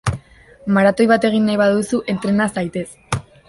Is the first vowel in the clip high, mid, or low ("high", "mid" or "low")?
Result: low